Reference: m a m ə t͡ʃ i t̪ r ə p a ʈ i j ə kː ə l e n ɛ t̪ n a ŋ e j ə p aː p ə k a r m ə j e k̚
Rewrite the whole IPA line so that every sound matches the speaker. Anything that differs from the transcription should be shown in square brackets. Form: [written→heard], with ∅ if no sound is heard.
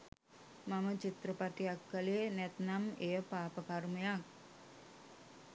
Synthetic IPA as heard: m a m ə t͡ʃ i t̪ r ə p a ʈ i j [ə→a] kː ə l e n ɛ t̪ n a [ŋ→m] e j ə p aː p ə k a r m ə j [e→a] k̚